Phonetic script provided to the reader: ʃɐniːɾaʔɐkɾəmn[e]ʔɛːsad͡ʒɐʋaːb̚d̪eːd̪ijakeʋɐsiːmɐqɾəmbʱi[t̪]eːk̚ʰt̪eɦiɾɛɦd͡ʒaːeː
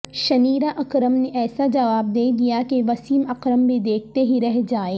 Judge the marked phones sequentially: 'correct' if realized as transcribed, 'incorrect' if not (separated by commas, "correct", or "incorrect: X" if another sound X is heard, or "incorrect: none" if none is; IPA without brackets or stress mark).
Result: correct, incorrect: d̪